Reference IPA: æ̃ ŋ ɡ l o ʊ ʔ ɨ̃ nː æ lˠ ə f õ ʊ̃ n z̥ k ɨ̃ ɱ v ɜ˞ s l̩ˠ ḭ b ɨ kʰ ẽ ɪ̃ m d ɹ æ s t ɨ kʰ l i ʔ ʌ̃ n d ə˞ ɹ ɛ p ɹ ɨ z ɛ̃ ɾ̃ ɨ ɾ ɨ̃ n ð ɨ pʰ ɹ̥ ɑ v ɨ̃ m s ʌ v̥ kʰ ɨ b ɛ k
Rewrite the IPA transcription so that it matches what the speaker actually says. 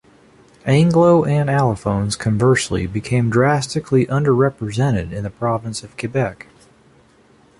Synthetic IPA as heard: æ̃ ŋ ɡ l o ʊ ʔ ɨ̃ n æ lˠ ə f õ ʊ̃ n z̥ kʰ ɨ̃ ɱ v ɜ˞ s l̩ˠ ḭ b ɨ kʰ ẽ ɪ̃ m d ɹ æ s t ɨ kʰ l i ʔ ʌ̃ n d ə˞ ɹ ɛ p ɹ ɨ z ɛ̃ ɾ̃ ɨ ɾ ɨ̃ n ð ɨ pʰ ɹ̥ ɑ v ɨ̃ n s ʌ v̥ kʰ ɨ b ɛ k